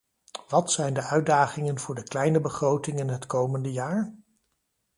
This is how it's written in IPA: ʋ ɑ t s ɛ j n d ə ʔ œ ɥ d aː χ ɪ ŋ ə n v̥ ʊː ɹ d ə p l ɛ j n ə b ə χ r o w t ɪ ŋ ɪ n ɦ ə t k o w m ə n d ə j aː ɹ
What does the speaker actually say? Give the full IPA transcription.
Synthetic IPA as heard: ʋ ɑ t s ɛ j n d ə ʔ œ ɥ d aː χ ɪ ŋ ə n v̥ ʊː ɹ d ə k l ɛ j n ə b ə χ r o w t ɪ ŋ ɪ n ɦ ə t k o w m ə n d ə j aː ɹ